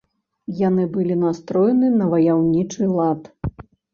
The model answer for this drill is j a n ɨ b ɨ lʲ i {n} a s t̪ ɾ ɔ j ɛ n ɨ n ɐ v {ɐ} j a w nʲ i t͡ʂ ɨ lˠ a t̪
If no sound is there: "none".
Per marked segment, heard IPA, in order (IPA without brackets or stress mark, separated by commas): n, ɐ